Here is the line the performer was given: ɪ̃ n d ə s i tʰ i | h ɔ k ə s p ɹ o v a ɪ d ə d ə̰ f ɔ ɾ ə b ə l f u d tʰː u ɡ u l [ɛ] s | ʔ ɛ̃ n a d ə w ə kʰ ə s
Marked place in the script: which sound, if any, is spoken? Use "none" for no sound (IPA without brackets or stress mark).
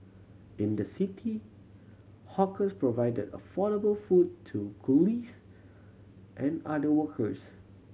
i